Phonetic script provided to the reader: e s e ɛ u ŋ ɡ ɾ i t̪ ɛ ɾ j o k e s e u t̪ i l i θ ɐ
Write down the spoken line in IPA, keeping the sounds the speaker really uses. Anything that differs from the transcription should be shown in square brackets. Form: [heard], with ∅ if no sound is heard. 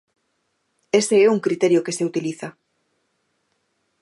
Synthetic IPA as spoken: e s e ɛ u ŋ [k] ɾ i t̪ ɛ ɾ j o k e s e u t̪ i l i θ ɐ